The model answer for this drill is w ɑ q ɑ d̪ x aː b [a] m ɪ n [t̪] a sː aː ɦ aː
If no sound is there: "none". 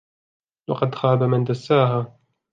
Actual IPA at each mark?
a, d̪

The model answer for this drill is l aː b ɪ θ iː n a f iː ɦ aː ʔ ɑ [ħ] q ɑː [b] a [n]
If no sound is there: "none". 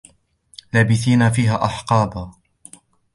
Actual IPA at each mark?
ħ, b, none

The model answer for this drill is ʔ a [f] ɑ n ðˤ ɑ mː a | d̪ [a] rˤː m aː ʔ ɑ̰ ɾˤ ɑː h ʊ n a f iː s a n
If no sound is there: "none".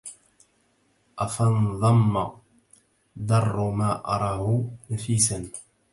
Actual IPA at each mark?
f, ɑ

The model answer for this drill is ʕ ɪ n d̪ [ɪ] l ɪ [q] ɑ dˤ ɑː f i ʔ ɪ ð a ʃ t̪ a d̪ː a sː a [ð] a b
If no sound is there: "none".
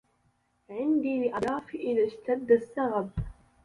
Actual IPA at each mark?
i, ʔ, ɣ

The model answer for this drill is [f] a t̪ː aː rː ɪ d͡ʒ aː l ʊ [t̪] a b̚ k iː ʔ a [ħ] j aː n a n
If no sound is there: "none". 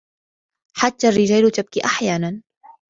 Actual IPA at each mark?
ħ, t̪, ħ

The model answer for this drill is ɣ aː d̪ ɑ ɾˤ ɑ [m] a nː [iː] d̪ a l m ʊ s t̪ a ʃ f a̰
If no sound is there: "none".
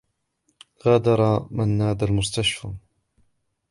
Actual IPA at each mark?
m, aː

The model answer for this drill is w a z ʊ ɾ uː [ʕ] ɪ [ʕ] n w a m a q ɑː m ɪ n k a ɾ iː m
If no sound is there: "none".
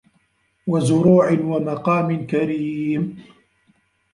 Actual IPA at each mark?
ʕ, none

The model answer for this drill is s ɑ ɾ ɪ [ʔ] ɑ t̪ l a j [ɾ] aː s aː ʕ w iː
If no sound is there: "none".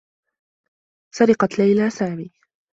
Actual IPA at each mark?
q, l

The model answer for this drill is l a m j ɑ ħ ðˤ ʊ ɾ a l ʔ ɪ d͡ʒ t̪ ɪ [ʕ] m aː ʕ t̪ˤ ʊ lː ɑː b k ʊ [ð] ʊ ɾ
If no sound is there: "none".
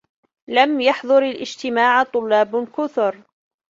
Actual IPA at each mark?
none, θ

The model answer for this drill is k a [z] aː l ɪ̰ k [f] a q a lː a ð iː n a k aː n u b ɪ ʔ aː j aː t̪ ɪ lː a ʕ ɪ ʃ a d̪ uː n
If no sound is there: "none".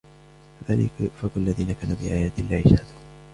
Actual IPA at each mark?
ð, f

